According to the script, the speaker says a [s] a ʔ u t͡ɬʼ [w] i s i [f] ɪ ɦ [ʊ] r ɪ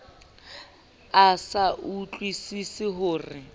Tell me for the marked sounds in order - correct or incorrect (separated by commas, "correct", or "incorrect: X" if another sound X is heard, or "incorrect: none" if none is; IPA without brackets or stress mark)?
correct, correct, incorrect: s, incorrect: ʊː